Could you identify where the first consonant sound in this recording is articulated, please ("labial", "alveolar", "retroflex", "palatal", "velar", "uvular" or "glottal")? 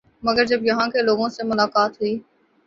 labial